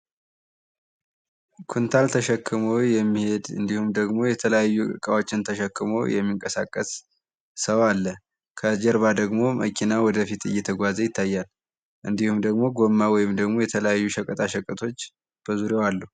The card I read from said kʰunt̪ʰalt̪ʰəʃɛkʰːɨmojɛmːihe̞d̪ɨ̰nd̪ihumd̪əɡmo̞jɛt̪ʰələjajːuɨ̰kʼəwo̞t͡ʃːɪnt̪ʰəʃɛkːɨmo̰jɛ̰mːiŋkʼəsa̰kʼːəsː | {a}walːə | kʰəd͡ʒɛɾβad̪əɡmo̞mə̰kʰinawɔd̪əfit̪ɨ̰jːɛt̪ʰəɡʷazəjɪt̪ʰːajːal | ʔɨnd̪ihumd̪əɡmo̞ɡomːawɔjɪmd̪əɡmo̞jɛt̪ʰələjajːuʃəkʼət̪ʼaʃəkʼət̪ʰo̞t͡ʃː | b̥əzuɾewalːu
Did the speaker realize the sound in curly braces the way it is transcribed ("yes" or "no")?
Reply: no